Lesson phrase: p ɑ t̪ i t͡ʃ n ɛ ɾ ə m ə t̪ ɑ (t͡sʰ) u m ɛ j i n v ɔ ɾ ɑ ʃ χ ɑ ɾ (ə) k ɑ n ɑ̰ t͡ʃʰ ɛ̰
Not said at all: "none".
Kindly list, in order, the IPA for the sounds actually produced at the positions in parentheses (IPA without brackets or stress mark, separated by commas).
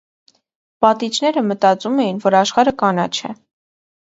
t͡s, ə